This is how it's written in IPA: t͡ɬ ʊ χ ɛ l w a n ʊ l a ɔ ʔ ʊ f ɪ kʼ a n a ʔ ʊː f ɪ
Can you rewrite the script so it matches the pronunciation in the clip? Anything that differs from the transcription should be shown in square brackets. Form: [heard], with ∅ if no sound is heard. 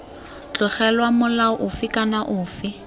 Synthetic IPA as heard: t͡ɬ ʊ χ ɛ l w a [m] ʊ l a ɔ ʔ ʊ f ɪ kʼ a n a ʔ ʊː f ɪ

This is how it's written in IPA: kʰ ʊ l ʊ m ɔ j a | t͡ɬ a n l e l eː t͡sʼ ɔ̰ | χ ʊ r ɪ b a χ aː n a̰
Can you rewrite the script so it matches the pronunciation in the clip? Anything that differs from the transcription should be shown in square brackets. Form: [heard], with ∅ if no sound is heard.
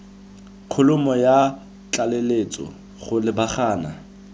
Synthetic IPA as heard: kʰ ʊ l ʊ m ɔ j a | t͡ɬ a [∅] l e l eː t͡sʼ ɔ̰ | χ ʊ [l] ɪ b a χ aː n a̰

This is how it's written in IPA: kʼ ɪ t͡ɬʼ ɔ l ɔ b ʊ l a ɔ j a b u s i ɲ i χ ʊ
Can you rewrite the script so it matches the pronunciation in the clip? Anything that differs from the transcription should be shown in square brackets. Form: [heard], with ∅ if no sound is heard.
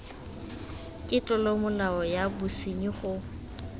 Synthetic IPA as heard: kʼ ɪ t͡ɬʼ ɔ l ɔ [m] ʊ l a ɔ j a b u s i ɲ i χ ʊ

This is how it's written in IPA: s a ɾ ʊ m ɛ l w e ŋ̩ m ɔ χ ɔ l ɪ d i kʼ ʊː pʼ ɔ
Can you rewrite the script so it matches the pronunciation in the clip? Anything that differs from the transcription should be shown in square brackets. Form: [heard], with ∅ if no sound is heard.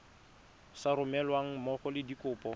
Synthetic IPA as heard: s a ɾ ʊ m ɛ l w [a] ŋ̩ m ɔ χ ɔ l ɪ d i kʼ ʊː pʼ ɔ

